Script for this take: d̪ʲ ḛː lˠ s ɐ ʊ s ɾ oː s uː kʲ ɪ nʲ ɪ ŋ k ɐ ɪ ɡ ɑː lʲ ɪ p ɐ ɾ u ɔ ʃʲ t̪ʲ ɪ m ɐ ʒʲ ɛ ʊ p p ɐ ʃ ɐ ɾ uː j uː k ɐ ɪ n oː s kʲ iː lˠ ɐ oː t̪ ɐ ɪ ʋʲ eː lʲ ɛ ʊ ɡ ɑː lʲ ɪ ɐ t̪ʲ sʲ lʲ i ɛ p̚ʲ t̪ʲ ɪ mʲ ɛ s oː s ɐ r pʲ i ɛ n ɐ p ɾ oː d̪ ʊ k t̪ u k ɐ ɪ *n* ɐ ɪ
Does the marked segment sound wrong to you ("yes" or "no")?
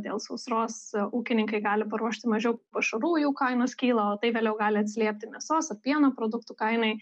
no